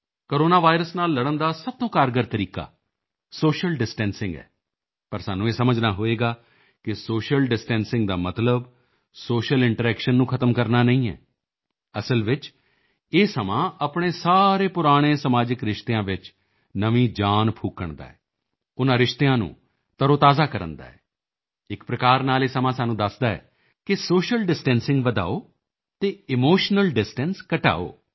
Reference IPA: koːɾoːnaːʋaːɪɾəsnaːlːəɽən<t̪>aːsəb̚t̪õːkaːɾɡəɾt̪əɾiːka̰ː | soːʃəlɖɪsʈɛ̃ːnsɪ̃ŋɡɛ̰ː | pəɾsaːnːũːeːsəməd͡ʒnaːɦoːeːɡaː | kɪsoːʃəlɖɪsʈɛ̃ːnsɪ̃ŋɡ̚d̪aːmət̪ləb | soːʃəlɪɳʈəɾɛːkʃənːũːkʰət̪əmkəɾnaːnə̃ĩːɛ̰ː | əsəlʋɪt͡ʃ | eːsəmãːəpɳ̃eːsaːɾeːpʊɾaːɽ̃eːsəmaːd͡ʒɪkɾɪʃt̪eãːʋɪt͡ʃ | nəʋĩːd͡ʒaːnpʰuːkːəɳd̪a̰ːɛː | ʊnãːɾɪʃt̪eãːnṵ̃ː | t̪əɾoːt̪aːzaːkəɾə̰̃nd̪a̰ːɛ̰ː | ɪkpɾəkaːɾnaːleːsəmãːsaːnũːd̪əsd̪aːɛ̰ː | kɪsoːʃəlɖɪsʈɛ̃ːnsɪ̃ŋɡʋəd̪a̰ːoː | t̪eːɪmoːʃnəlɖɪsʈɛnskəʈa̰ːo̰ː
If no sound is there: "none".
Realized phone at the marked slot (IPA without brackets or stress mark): d̪